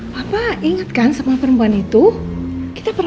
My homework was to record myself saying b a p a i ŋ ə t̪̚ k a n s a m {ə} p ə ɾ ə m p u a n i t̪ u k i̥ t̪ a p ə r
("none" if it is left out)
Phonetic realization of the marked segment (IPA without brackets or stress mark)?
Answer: a